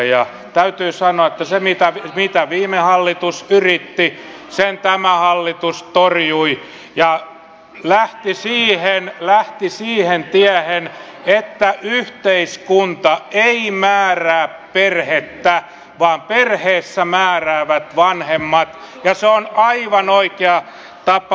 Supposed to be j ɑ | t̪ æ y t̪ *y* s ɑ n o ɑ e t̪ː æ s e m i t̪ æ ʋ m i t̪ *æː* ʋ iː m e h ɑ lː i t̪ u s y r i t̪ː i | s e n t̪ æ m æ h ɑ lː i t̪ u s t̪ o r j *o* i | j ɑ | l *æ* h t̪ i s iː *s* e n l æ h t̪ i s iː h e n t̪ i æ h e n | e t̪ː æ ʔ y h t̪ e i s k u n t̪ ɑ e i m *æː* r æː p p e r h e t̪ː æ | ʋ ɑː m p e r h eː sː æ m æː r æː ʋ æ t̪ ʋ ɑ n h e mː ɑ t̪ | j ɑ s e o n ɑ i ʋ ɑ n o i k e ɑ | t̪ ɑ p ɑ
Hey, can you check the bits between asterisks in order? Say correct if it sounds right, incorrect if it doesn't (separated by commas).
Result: incorrect, incorrect, incorrect, correct, incorrect, correct